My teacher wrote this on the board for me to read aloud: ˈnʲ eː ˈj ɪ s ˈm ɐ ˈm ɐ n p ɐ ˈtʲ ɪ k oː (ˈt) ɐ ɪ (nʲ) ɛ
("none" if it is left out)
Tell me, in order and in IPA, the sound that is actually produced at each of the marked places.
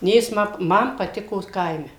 k, mʲ

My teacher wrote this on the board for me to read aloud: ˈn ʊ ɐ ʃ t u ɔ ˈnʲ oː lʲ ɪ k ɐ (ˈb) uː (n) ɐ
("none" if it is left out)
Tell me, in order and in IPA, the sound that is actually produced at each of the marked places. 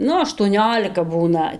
b, n

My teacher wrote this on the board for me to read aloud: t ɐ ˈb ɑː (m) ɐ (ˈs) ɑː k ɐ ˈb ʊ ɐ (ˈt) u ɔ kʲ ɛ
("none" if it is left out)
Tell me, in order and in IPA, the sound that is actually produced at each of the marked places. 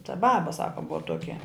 b, s, t

